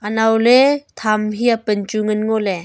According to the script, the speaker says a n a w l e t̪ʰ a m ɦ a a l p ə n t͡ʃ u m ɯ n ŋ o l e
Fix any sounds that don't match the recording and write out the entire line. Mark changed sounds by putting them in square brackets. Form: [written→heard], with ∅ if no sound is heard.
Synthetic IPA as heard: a n a w l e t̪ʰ a m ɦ [a→i] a [l→∅] p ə n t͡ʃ u [m→ŋ] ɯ n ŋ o l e